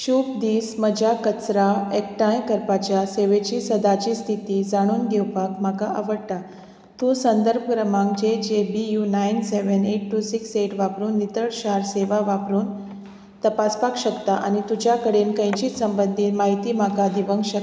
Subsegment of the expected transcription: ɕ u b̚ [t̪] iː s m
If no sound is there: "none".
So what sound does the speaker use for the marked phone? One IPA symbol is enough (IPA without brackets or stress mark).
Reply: d̪